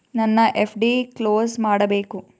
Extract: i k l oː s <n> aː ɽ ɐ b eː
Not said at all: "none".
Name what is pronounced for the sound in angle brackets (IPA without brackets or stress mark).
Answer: m